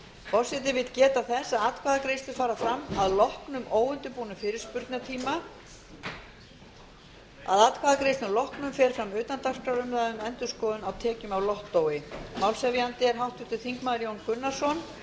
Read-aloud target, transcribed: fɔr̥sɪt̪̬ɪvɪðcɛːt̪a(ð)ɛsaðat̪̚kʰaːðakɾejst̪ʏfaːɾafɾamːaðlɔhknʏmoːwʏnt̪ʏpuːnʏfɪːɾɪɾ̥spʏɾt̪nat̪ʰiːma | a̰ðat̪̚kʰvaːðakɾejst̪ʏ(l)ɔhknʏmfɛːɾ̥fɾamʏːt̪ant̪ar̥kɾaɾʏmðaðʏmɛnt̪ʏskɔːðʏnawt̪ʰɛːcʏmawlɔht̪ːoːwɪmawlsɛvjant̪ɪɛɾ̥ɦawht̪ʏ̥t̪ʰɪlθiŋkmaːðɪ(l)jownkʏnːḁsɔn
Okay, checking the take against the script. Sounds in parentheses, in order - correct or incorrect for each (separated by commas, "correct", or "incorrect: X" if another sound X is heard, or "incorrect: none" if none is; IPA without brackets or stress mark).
incorrect: θ, correct, incorrect: ɾ